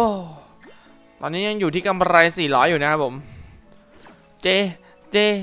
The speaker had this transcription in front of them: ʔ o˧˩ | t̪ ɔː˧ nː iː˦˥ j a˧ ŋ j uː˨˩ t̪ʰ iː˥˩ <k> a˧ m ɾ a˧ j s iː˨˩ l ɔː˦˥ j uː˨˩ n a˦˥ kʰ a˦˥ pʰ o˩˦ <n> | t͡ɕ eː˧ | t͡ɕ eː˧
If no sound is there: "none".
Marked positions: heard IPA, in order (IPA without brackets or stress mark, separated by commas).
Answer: k, m